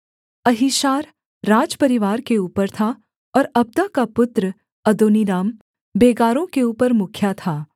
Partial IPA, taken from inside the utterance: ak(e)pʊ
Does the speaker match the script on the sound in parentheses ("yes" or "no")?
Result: no